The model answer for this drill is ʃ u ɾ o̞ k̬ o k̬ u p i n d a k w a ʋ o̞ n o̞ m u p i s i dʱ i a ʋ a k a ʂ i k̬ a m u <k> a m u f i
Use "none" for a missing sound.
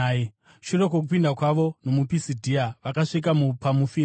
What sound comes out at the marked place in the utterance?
p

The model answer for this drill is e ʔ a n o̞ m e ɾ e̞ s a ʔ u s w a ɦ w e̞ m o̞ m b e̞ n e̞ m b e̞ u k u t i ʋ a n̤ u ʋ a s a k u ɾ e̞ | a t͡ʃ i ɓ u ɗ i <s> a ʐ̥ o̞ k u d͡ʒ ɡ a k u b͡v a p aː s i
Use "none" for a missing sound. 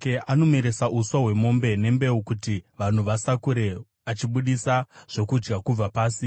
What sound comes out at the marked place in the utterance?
s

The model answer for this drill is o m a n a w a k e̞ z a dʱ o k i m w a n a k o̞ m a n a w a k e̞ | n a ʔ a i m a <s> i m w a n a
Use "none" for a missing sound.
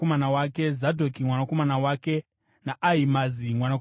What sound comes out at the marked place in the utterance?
z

